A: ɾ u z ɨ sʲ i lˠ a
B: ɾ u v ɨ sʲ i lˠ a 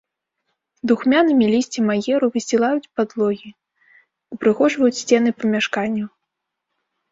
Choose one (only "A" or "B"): B